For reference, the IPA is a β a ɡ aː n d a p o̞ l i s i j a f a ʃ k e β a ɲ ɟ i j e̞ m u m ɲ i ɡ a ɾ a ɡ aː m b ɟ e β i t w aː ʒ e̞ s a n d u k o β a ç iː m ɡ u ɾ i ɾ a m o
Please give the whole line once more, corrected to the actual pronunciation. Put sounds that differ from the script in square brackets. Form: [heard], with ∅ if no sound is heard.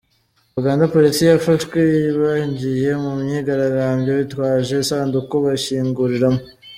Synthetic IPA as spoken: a β a ɡ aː n d a p o̞ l i s i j a f a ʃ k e β a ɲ ɟ i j e̞ m u m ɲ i ɡ a ɾ a ɡ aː m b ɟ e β i t w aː ʒ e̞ s a n d u k o β a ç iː [ŋ] ɡ u ɾ i ɾ a m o